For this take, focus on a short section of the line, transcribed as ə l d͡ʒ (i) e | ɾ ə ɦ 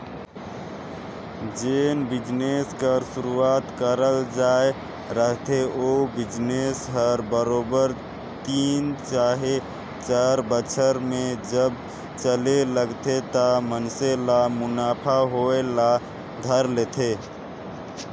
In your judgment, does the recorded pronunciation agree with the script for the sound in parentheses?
no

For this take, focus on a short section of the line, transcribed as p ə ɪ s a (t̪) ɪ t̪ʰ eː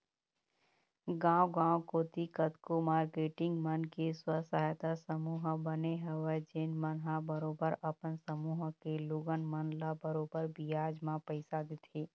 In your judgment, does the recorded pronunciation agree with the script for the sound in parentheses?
no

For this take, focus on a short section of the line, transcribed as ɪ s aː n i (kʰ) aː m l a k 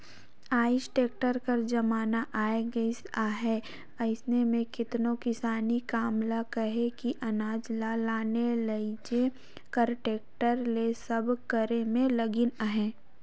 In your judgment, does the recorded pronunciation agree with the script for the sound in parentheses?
no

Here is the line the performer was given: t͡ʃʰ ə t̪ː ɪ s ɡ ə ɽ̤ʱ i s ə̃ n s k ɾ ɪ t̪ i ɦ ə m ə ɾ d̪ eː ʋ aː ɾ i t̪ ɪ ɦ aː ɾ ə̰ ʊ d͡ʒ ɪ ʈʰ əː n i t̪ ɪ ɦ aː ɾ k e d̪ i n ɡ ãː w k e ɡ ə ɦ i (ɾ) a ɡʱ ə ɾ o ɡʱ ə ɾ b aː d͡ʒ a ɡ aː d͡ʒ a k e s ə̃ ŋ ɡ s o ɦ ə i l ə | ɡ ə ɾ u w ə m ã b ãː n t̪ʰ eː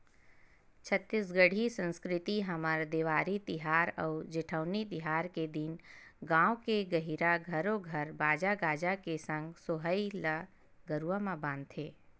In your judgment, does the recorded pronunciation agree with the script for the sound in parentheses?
yes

